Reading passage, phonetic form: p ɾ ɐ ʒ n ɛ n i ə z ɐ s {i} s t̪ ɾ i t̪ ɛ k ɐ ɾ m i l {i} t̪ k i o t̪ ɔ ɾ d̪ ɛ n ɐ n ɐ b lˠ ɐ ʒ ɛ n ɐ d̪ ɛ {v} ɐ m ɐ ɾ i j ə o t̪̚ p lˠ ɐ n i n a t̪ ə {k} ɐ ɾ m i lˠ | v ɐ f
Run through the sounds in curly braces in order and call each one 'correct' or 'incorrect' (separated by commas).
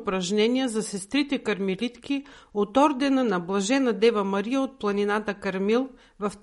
incorrect, correct, correct, correct